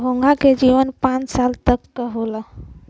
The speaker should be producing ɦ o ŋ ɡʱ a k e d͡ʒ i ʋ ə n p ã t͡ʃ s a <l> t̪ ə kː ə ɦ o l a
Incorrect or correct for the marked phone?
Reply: correct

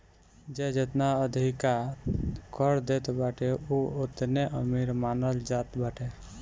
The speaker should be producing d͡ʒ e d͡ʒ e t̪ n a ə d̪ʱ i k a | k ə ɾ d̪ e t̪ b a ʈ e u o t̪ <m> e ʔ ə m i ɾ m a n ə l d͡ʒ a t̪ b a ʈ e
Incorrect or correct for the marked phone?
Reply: incorrect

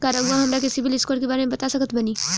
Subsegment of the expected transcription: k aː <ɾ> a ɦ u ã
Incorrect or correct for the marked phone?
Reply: correct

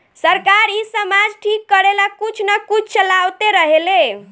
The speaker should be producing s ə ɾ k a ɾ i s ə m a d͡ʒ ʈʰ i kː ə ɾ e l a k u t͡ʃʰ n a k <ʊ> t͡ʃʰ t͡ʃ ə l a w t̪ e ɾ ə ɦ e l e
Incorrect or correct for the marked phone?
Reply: incorrect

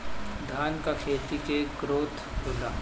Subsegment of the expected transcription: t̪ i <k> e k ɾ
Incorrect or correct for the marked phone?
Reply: correct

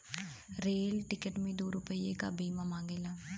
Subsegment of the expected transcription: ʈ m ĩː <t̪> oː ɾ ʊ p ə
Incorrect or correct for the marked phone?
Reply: incorrect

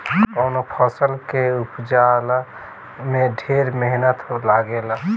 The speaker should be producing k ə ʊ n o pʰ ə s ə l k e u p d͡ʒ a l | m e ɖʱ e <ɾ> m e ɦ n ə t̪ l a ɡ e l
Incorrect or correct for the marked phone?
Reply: correct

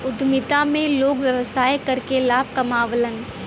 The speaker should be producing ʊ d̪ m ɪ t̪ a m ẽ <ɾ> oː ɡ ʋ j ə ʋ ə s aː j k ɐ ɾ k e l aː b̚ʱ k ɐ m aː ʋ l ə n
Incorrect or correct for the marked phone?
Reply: incorrect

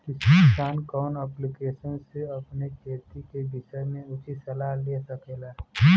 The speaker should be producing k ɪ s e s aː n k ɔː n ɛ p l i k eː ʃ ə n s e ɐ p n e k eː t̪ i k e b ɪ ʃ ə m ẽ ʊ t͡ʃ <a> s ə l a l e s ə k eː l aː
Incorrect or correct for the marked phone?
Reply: incorrect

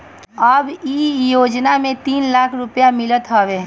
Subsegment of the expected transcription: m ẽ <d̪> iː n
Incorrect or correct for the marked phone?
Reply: incorrect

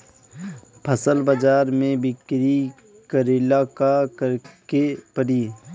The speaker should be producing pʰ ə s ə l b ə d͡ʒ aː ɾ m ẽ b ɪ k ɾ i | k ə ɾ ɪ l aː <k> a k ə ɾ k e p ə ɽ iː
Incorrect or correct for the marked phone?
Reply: correct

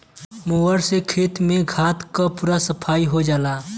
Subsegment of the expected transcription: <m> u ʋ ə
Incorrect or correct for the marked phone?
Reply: correct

